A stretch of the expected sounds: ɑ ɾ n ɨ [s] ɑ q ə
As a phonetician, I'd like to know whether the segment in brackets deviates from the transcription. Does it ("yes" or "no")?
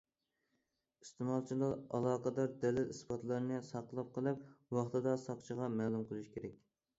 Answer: no